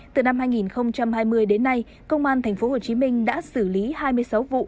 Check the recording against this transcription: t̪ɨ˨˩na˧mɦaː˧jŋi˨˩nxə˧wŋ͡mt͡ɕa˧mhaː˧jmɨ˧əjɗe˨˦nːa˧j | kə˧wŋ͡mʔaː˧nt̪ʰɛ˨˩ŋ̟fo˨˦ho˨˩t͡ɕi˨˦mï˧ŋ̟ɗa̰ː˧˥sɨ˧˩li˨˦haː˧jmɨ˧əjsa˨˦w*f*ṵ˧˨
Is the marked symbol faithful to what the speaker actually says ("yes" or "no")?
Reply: no